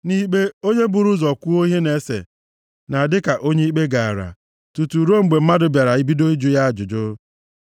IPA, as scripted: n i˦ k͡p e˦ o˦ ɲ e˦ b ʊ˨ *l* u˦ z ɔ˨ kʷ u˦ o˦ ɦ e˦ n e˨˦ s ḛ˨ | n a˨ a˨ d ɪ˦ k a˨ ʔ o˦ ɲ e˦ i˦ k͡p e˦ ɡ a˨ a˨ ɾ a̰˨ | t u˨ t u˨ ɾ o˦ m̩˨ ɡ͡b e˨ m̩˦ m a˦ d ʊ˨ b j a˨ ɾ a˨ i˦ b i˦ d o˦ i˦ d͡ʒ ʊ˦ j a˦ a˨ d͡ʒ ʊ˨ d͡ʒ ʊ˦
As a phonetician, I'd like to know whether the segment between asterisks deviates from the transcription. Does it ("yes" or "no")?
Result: yes